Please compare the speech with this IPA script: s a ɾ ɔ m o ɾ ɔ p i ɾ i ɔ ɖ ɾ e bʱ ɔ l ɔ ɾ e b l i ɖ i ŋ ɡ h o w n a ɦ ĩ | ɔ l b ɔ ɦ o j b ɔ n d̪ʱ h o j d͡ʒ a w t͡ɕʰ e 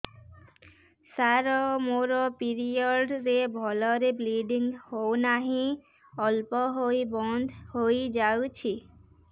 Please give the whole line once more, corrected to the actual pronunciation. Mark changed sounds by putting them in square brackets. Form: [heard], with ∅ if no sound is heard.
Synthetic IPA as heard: s a ɾ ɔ m o ɾ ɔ p i ɾ i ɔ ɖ ɾ e bʱ ɔ l ɔ ɾ e b l i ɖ i ŋ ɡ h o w n a ɦ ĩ | ɔ l [p] ɔ ɦ o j b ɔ n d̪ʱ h o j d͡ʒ a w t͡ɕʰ [i]

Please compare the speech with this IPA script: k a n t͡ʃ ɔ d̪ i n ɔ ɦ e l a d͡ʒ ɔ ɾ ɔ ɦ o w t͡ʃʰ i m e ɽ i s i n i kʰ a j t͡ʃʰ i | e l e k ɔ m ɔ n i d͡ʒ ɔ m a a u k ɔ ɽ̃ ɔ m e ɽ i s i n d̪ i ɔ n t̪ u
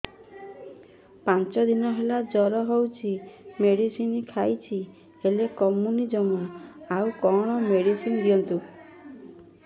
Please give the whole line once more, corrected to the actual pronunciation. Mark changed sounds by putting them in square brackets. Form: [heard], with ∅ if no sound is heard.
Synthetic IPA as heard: [p] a n t͡ʃ ɔ d̪ i n ɔ ɦ e l a d͡ʒ ɔ ɾ ɔ ɦ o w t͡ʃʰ i m e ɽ i s i n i kʰ a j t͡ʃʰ i | e l e k ɔ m [u] n i d͡ʒ ɔ m a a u k ɔ ɽ̃ ɔ m e ɽ i s i n d̪ i ɔ n t̪ u

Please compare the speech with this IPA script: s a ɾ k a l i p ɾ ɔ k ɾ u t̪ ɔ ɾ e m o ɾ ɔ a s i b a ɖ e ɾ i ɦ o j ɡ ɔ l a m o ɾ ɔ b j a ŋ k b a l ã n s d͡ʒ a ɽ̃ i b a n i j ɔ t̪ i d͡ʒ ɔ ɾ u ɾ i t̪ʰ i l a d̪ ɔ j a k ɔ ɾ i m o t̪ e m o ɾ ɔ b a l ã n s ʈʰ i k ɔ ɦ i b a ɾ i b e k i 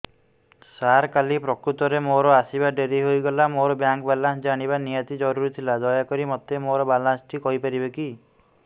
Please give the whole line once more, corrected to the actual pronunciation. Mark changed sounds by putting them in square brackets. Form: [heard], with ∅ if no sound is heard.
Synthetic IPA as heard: s a ɾ k a l i p ɾ ɔ k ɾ u t̪ ɔ ɾ e m o ɾ ɔ a s i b a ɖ e ɾ i ɦ o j ɡ ɔ l a m o ɾ ɔ b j a ŋ k b a l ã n s d͡ʒ a ɽ̃ i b a n i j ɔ t̪ i d͡ʒ ɔ ɾ u ɾ i t̪ʰ i l a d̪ ɔ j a k ɔ ɾ i m [ɔ] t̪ e m o ɾ ɔ b a l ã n s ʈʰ i k ɔ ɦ i [p] a ɾ i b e k i

